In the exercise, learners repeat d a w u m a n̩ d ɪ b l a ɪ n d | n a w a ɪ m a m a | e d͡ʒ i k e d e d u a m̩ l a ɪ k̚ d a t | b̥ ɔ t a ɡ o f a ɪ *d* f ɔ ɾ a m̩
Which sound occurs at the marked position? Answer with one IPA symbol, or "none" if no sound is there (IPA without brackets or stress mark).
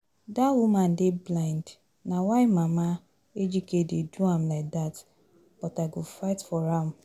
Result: t